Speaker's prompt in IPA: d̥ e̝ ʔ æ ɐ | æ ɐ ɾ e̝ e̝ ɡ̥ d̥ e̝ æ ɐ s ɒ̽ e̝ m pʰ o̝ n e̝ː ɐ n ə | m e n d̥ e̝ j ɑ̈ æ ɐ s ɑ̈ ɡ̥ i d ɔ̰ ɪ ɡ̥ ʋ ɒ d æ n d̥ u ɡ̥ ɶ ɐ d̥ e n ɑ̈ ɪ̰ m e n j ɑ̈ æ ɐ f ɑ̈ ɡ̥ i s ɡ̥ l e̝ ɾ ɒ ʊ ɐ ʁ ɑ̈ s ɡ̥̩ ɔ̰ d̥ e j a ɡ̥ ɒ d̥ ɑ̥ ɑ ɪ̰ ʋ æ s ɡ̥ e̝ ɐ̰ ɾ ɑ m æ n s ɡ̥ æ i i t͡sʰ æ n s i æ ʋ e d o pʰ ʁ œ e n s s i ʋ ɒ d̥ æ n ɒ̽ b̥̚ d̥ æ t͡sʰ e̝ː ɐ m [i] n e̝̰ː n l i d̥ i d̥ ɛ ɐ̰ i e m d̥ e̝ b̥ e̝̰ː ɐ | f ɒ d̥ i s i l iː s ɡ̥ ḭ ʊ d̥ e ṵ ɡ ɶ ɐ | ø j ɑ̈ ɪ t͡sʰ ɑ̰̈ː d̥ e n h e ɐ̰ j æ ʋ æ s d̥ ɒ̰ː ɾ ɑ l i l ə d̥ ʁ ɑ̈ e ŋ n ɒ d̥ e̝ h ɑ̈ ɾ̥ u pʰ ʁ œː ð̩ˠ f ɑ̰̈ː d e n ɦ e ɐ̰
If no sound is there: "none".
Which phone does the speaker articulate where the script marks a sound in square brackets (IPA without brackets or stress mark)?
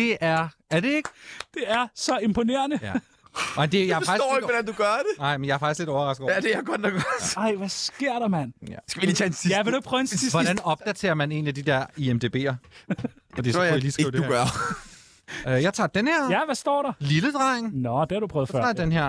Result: æ